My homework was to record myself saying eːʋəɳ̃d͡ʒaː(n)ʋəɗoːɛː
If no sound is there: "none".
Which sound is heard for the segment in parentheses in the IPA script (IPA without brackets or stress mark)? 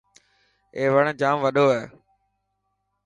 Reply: m